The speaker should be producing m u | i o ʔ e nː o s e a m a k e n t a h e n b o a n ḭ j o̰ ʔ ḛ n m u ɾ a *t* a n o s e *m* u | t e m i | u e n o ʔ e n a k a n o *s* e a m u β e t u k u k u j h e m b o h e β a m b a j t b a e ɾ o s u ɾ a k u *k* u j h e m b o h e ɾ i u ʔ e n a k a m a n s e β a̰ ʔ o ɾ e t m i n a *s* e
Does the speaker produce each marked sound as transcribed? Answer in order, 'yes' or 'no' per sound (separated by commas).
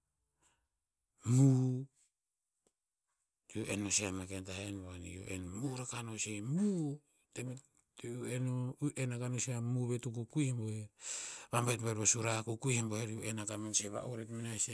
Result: no, yes, yes, yes, yes